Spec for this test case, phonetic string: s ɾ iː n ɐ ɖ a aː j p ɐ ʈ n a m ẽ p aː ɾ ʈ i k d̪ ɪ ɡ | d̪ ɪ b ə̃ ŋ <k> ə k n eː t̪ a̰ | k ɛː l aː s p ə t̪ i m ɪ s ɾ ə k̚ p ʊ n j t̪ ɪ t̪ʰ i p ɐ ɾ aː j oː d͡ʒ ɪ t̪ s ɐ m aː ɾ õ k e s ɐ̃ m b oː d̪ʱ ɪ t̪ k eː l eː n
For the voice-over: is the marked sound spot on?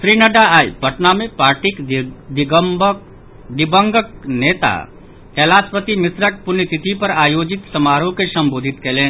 no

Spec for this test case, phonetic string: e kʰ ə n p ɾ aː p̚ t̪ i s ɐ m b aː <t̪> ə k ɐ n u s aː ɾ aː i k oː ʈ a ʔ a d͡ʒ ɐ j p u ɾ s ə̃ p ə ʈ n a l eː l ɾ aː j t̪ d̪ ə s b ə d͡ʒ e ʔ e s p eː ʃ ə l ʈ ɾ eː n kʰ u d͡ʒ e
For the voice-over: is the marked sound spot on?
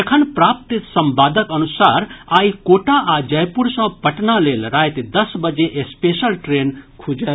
no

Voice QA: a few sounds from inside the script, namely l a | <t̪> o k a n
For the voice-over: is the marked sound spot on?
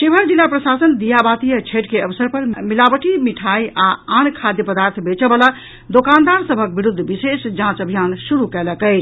no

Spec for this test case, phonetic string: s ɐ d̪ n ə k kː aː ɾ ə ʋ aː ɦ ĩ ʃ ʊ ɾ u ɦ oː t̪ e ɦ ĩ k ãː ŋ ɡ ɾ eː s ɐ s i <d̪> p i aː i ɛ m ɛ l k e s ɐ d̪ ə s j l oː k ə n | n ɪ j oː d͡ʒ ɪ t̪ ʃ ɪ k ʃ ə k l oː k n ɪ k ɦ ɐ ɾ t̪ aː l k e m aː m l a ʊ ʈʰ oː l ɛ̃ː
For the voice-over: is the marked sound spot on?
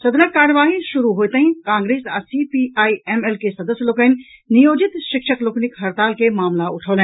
no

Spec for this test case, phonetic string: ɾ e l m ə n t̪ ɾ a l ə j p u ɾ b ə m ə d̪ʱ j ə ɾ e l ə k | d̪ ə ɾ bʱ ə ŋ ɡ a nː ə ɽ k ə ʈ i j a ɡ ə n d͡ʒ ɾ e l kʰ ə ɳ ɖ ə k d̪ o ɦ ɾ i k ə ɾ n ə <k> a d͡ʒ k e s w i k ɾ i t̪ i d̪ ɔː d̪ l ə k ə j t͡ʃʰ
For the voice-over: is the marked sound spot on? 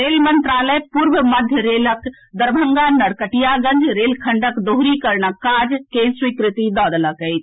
yes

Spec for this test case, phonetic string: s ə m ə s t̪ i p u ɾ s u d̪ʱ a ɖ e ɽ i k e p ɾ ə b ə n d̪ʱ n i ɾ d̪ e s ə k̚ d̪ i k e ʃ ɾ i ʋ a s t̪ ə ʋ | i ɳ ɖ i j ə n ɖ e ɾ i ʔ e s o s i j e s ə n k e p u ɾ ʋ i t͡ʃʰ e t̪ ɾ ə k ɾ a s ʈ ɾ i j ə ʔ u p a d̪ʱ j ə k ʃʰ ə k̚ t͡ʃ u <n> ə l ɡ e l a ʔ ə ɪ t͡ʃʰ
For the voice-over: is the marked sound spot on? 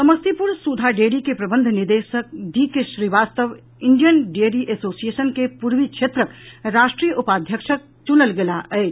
yes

